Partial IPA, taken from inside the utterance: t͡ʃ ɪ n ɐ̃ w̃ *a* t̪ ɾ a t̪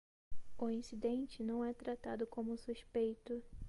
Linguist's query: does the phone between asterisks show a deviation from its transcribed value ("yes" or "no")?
yes